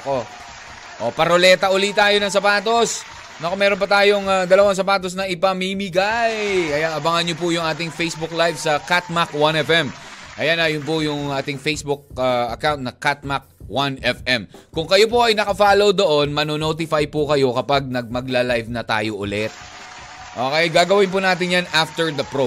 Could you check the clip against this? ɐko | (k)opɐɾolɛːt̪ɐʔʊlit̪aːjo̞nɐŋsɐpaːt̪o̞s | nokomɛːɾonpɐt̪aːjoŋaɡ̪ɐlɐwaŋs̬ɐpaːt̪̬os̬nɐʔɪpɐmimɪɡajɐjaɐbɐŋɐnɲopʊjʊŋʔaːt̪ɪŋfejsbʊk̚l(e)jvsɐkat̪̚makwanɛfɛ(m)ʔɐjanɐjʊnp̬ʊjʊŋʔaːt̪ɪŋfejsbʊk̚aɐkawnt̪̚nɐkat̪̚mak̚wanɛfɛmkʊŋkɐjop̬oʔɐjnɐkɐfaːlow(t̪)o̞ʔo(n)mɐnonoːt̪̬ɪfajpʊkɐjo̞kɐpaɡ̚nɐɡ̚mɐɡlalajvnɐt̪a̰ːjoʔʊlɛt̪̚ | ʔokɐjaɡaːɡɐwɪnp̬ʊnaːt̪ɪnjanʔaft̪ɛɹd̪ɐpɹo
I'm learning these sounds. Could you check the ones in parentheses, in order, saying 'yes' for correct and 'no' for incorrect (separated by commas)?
no, no, yes, no, yes